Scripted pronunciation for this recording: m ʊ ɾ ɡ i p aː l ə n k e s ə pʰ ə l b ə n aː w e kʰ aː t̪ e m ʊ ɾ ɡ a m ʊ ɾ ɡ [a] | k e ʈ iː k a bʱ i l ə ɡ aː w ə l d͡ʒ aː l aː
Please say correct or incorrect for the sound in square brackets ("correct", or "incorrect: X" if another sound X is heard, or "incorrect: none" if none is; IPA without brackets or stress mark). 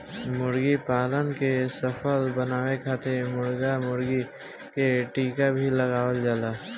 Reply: incorrect: i